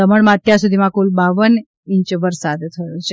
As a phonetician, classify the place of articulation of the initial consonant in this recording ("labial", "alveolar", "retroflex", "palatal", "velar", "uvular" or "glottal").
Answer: labial